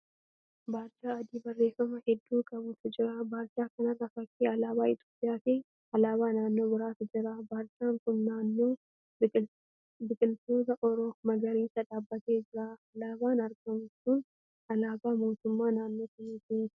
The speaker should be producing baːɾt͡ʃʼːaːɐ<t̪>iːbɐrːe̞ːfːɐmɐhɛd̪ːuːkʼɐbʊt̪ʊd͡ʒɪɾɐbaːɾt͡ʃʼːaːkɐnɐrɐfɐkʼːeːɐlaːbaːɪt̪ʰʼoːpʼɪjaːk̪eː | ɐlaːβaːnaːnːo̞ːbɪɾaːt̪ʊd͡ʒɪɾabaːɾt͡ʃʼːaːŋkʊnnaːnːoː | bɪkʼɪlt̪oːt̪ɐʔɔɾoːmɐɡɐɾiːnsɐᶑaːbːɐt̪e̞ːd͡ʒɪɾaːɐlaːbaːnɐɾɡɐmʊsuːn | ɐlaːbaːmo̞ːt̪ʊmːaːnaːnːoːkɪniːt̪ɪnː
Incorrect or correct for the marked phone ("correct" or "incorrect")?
incorrect